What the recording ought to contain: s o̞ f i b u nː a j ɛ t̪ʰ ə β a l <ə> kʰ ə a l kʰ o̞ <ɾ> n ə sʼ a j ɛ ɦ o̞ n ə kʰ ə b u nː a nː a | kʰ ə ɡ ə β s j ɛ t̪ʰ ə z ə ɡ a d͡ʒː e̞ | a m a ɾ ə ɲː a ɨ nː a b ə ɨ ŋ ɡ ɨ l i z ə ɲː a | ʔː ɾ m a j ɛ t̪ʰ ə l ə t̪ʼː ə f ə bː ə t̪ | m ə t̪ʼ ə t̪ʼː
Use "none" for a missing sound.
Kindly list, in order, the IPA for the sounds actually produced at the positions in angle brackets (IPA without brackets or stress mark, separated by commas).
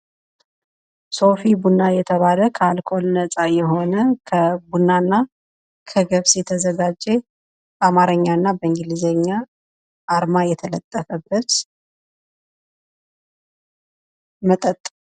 ə, l